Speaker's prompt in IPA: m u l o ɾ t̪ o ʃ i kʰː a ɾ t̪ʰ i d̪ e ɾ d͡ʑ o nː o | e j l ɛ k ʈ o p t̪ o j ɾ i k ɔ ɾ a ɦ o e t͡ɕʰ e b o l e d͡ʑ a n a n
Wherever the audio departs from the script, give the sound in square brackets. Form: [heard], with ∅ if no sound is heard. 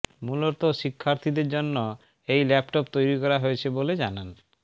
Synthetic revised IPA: m u l o ɾ t̪ o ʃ i kʰː a ɾ t̪ʰ i d̪ e ɾ d͡ʑ o nː o | e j l ɛ [p] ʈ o p t̪ o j ɾ i k ɔ ɾ a ɦ o e t͡ɕʰ e b o l e d͡ʑ a n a n